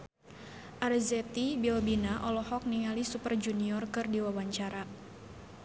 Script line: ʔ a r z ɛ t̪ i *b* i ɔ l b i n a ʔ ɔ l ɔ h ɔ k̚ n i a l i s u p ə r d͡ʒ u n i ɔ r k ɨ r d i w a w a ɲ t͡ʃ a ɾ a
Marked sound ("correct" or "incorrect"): correct